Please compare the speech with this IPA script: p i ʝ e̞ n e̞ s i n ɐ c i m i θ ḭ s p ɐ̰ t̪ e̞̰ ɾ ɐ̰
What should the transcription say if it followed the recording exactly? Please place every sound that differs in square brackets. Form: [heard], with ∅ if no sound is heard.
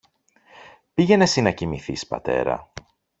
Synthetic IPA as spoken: p i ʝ e̞ n e̞ s i n ɐ c i m i θ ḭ s p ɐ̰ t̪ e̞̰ ɾ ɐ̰